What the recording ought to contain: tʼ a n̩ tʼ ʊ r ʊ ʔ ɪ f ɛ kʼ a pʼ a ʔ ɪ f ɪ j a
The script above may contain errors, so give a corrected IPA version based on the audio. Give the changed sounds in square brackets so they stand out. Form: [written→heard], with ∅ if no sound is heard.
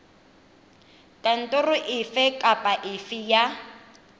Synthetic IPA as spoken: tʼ a n̩ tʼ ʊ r ʊ ʔ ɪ f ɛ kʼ a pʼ a ʔ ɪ f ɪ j a